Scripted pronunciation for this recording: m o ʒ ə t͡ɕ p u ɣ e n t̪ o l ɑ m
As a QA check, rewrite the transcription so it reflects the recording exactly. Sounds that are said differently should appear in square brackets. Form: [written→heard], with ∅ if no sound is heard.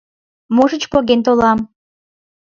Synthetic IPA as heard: m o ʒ ə t͡ɕ p [u→o] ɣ e n t̪ o l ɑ m